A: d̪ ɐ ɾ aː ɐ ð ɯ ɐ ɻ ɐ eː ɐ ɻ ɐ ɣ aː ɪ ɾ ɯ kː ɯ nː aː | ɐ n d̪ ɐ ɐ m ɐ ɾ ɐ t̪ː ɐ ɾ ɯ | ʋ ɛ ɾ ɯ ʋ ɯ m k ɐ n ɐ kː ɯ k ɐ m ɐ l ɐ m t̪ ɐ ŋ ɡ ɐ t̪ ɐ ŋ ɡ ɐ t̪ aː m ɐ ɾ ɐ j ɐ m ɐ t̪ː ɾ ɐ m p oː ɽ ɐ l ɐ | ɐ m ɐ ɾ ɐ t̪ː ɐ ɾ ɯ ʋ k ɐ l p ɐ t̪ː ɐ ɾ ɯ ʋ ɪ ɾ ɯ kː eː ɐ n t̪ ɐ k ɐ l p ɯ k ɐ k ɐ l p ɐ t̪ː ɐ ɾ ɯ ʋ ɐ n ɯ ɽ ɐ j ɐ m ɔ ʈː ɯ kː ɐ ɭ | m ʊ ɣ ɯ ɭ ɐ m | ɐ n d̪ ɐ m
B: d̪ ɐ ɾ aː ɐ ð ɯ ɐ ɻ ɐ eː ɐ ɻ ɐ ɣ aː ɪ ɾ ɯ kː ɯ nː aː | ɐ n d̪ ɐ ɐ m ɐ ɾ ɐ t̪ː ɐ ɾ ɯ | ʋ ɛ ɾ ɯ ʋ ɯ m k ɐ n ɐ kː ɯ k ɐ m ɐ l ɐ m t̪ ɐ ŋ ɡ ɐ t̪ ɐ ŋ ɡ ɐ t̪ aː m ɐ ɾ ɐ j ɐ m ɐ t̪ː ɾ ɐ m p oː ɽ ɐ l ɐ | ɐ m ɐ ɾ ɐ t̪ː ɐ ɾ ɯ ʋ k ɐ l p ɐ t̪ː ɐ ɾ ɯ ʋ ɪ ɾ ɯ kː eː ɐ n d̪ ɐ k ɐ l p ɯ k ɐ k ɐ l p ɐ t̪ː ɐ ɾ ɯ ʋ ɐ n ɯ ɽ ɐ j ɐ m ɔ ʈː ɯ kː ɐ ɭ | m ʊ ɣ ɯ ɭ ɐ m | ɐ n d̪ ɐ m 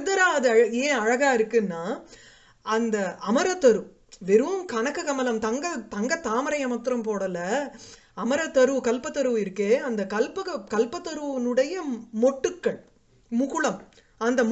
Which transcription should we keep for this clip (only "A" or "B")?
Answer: B